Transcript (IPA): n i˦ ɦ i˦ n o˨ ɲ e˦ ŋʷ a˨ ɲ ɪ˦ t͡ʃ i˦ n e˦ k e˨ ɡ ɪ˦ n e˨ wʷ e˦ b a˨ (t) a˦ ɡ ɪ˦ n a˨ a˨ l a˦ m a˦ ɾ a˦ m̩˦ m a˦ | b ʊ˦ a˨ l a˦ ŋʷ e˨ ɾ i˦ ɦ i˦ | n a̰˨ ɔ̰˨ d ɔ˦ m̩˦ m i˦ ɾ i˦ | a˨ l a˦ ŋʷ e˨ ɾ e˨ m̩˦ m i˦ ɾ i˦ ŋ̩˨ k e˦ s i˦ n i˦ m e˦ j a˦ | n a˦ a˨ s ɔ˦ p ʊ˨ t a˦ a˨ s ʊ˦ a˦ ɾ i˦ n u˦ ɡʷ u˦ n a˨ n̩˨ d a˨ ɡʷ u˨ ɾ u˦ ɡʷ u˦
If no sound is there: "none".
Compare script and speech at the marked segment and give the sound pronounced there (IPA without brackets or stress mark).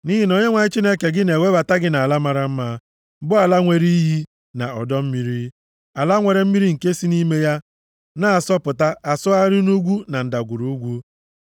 t